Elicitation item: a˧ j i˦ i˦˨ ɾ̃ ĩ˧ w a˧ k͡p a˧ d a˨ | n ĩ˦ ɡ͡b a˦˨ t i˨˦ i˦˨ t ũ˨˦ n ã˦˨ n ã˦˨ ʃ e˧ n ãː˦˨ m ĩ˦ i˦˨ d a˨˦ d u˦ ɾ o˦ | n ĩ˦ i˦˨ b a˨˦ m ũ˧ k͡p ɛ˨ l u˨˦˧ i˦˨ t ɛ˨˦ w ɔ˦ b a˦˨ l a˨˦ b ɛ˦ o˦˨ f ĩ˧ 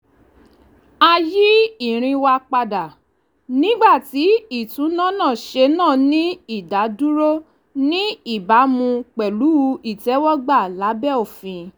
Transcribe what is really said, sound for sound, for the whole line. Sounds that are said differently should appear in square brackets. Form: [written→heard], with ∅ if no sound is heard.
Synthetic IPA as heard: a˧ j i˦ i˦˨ ɾ̃ ĩ˧ w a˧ k͡p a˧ d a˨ | n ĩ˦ ɡ͡b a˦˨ t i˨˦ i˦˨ t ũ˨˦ n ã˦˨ n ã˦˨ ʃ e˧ n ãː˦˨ [m→n] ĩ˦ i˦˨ d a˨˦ d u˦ ɾ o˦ | n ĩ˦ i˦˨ b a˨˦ m ũ˧ k͡p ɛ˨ l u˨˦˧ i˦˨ t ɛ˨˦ w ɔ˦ [b→ɡ͡b] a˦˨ l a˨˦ b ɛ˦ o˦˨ f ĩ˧